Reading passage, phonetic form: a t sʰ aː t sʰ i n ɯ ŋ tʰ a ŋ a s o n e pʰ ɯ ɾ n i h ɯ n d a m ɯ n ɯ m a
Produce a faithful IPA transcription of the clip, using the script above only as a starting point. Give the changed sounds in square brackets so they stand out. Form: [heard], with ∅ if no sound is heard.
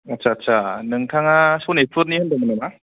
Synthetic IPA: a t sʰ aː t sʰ [a] n ɯ ŋ tʰ a ŋ a s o n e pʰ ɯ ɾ n i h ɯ n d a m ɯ n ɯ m a